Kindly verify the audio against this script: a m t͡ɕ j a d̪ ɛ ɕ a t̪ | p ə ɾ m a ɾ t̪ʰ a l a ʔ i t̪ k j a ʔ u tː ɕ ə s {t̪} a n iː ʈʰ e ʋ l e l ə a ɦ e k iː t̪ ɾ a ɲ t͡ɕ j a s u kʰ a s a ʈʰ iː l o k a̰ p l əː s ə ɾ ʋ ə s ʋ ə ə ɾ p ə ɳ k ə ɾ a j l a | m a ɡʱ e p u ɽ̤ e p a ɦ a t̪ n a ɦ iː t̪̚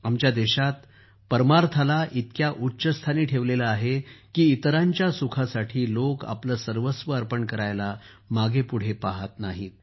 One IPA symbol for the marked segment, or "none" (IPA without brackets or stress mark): t̪ʰ